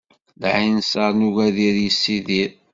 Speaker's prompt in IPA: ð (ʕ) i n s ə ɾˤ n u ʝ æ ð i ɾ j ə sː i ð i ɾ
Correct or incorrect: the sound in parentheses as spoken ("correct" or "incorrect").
correct